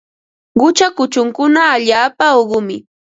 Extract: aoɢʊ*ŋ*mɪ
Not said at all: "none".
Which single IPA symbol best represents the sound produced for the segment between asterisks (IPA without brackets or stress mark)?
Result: none